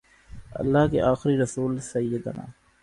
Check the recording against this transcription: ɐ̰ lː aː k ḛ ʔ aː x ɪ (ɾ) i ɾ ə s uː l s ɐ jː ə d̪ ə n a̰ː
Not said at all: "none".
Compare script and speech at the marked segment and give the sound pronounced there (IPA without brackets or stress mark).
ɾ